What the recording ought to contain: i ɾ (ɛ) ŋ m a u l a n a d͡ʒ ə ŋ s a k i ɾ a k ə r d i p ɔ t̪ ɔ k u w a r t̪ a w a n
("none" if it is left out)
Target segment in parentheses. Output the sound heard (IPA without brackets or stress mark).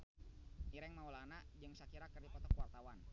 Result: ɛ